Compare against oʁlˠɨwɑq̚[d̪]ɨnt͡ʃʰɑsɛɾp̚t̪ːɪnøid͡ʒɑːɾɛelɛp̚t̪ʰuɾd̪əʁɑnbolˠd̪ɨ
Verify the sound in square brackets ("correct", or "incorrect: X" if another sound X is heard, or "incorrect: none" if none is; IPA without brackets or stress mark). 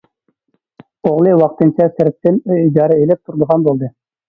incorrect: t̪